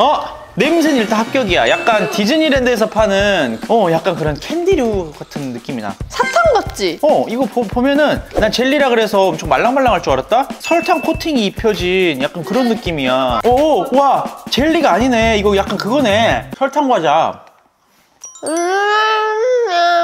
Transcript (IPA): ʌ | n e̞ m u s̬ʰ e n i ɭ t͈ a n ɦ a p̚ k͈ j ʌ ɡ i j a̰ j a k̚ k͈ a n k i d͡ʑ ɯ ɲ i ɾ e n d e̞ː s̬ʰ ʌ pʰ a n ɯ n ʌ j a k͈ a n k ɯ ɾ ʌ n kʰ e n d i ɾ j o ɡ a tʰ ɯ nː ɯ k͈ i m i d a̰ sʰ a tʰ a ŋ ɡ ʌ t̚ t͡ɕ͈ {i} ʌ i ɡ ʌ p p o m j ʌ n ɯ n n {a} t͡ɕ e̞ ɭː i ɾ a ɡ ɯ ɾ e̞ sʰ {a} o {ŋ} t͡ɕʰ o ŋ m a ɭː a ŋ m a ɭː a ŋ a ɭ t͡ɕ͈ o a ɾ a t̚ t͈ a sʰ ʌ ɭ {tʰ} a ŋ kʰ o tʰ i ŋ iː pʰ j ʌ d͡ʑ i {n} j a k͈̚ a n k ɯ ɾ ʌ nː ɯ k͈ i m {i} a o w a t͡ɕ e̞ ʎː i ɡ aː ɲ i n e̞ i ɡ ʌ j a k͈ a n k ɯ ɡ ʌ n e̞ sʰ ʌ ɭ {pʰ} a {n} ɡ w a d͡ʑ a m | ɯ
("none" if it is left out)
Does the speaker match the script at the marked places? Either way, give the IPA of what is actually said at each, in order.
i, a, ʌ, m, tʰ, n, i, tʰ, ŋ

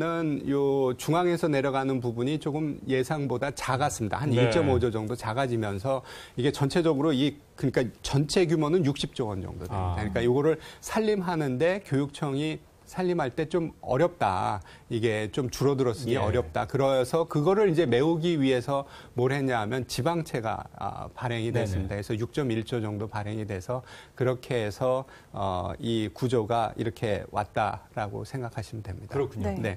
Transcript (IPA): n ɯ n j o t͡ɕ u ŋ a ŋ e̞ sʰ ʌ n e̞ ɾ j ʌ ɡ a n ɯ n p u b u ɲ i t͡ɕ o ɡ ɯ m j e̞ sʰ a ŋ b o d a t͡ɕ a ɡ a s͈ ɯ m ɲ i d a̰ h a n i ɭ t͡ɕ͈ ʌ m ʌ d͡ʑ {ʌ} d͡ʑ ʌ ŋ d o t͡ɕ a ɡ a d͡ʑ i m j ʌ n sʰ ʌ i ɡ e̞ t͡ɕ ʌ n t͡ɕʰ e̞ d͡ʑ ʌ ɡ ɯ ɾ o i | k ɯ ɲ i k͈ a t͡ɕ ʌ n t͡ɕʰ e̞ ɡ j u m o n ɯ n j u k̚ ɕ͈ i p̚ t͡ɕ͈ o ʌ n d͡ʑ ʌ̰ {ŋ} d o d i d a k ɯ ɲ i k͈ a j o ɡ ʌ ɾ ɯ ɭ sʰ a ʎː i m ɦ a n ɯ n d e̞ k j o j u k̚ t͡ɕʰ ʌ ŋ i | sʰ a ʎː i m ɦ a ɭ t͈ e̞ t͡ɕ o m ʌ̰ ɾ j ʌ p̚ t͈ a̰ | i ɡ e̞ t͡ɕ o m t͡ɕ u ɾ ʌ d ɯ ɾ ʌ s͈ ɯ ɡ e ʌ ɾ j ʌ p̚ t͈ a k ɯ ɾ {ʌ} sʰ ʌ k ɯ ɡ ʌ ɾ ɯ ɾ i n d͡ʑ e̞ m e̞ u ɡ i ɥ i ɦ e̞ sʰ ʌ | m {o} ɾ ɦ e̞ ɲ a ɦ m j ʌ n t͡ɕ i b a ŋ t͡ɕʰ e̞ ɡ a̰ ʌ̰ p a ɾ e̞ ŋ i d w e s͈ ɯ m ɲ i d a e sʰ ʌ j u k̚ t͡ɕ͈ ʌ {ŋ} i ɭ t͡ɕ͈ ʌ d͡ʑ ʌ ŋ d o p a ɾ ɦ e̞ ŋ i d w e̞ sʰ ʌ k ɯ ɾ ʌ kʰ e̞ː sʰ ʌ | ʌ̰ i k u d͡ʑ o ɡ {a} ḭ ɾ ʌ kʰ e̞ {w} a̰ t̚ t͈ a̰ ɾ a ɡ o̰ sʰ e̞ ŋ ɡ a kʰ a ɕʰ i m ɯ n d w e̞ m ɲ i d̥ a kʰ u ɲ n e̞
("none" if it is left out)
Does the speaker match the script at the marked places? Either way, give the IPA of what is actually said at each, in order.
ʌ, ŋ, ʌ, o, m, a, w

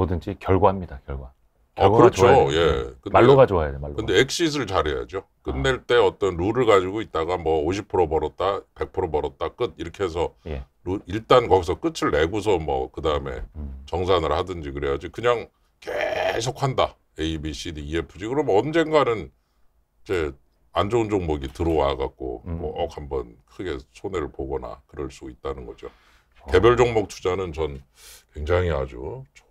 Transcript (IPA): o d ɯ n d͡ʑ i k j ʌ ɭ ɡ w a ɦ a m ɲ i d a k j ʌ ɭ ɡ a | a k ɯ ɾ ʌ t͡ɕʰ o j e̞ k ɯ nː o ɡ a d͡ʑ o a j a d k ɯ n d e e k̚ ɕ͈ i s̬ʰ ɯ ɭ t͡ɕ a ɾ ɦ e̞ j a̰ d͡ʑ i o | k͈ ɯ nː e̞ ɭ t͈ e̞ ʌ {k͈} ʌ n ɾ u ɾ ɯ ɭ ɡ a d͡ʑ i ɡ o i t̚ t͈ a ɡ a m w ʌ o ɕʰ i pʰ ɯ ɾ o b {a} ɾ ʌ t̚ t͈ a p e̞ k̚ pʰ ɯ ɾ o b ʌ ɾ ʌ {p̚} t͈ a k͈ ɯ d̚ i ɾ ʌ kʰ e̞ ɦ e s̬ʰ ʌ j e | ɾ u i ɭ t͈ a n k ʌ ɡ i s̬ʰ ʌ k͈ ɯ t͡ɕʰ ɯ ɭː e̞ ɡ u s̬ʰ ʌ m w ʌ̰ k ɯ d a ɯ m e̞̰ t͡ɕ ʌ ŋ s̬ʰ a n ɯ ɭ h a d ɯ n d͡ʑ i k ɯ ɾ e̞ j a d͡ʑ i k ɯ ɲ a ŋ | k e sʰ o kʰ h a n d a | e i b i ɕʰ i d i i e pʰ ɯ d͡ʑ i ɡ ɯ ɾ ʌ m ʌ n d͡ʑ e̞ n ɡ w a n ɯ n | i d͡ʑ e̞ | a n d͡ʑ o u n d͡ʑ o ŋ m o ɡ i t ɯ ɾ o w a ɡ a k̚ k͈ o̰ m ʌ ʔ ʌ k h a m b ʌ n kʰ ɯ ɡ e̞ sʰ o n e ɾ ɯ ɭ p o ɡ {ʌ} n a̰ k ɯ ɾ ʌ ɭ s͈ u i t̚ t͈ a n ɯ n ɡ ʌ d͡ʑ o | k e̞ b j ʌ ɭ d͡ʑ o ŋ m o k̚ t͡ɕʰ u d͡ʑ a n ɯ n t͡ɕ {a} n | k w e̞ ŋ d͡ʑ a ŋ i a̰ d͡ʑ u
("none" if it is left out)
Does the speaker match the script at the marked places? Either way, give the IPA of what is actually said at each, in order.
t͈, ʌ, t̚, ʌ, ʌ

